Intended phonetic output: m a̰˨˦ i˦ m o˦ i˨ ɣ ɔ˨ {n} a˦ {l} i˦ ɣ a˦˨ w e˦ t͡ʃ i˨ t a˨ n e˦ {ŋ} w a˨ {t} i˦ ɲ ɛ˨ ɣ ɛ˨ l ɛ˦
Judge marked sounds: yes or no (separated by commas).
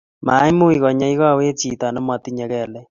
no, no, no, yes